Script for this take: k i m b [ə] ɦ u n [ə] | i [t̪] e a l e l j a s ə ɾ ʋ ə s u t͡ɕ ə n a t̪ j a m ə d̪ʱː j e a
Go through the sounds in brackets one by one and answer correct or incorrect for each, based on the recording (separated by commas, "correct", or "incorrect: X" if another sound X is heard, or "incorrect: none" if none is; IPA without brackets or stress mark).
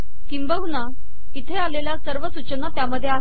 correct, incorrect: a, incorrect: t̪ʰ